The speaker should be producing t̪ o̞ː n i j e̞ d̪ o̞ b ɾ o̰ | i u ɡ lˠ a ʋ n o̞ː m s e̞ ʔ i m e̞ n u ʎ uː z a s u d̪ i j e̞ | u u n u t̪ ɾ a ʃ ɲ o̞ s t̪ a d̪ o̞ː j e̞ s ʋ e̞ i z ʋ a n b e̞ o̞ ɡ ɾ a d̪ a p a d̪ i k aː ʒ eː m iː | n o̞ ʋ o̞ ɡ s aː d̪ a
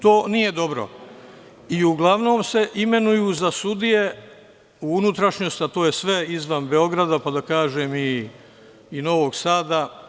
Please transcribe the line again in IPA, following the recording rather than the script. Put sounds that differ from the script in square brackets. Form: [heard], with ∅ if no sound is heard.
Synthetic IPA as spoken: t̪ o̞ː n i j e̞ d̪ o̞ b ɾ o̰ | i u ɡ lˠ a ʋ n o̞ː m s e̞ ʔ i m e̞ n u [j] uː z a s u d̪ i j e̞ | u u n u t̪ ɾ a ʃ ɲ o̞ s t̪ a [t̪] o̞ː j e̞ s ʋ e̞ i z ʋ a n b e̞ o̞ ɡ ɾ a d̪ a p a d̪ [a] k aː ʒ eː m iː | n o̞ ʋ o̞ ɡ s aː d̪ a